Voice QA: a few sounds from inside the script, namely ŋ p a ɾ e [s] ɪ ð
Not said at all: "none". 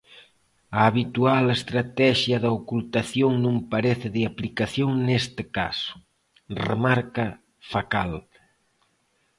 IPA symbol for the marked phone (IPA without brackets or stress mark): θ